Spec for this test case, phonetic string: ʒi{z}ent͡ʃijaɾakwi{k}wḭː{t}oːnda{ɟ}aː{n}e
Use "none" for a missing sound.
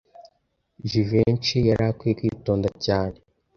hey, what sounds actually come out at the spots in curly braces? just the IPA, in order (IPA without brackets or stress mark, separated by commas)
v, k, t, c, n